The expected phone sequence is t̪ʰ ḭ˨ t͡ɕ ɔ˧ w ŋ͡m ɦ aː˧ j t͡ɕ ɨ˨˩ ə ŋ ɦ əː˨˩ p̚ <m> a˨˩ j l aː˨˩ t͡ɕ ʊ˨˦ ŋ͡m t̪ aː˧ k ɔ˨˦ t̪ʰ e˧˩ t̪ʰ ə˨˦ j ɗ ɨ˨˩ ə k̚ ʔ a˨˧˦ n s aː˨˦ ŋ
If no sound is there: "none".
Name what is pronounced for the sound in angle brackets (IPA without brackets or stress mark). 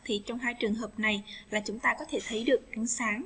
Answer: n